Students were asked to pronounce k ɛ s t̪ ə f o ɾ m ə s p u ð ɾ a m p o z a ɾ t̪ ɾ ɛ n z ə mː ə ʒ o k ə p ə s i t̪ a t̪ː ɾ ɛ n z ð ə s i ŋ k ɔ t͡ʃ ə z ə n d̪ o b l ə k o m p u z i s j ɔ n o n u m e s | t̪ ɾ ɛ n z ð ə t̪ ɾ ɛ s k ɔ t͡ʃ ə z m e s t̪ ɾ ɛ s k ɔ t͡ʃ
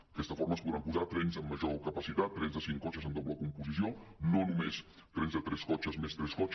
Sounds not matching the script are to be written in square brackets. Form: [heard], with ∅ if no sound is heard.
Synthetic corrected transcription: k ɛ s t̪ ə f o ɾ m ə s p u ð ɾ a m p [u] z a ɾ t̪ ɾ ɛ n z ə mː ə ʒ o k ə p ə s i t̪ a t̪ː ɾ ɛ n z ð ə s i ŋ k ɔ t͡ʃ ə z ə n d̪ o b l ə k [u] m p u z i s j [o] n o n u m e s | t̪ ɾ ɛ n z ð ə t̪ ɾ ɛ s k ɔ t͡ʃ ə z m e s t̪ ɾ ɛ s k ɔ t͡ʃ